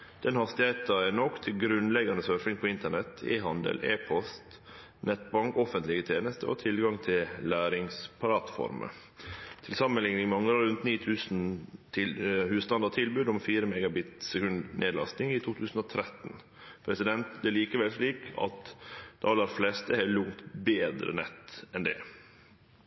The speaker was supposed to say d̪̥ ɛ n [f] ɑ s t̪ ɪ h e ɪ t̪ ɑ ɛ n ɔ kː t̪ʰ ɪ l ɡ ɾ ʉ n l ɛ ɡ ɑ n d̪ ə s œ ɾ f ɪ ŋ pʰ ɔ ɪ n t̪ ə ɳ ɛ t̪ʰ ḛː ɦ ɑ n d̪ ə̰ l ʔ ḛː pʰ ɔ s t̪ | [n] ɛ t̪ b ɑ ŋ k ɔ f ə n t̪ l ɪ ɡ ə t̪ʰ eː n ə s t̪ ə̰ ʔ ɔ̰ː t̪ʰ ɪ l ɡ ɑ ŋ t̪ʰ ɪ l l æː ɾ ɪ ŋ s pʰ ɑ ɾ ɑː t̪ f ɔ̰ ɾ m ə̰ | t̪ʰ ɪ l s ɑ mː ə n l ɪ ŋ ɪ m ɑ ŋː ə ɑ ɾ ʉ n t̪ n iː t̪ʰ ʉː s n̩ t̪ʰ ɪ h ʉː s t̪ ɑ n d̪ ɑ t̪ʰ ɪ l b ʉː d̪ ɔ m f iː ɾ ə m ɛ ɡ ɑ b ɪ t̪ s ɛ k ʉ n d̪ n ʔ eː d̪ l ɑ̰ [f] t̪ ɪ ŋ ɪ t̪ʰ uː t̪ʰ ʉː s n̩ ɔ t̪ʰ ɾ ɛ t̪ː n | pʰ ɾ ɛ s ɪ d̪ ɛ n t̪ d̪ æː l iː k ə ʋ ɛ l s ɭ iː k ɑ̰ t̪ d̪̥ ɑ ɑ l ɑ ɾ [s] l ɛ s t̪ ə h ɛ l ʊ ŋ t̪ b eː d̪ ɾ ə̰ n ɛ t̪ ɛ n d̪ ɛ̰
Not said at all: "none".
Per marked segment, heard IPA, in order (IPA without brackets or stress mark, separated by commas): h, n, s, f